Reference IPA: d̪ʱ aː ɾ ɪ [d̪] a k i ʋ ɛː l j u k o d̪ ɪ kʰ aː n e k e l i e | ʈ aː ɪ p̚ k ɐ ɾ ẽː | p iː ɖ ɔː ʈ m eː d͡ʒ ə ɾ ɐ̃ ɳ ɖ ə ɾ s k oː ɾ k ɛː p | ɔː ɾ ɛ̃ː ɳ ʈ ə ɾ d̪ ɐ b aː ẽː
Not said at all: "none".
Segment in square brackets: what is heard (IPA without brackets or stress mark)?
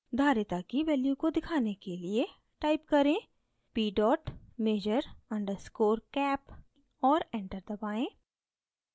t̪